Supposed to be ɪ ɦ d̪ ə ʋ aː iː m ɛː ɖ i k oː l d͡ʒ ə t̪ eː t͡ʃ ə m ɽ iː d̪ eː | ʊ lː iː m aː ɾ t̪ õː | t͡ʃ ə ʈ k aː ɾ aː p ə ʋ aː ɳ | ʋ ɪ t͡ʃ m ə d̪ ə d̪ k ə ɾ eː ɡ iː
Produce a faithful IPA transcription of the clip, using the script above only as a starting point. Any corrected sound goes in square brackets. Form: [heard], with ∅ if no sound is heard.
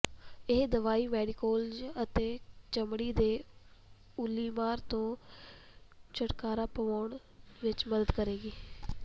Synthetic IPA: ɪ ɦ d̪ ə ʋ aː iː m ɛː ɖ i k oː l d͡ʒ ə t̪ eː t͡ʃ ə m ɽ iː d̪ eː | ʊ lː iː m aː ɾ t̪ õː | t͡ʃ ə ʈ k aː ɾ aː p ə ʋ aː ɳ | ʋ ɪ t͡ʃ m ə d̪ ə d̪ k ə ɾ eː ɡ iː